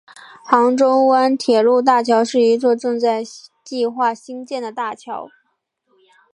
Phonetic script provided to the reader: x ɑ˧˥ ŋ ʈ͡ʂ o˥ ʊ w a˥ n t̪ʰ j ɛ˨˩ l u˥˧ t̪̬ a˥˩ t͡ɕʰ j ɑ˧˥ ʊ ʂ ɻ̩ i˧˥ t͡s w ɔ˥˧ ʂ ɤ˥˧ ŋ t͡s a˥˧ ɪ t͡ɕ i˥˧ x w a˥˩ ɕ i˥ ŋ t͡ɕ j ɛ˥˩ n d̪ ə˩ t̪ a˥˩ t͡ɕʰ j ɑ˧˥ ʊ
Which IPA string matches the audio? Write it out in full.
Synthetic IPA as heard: x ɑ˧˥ ŋ ʈ͡ʂ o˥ ʊ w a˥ n t̪ʰ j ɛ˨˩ l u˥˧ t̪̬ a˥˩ t͡ɕʰ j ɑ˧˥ ʊ ʂ ɻ̩ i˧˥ t͡s w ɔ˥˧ ʈ͡ʂ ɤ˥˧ ŋ t͡s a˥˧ ɪ t͡ɕ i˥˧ x w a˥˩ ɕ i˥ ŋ t͡ɕ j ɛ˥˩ n d̪ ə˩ t̪ a˥˩ t͡ɕʰ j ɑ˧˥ ʊ